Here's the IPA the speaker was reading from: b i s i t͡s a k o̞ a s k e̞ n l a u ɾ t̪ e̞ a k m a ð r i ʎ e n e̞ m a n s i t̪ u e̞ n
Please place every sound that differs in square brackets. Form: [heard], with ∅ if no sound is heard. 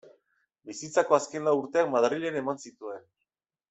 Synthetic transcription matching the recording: b i s i t͡s a k o̞ a s k e̞ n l a u ɾ t̪ e̞ a k m a ð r i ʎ e n e̞ m a n s i t̪ u e̞ n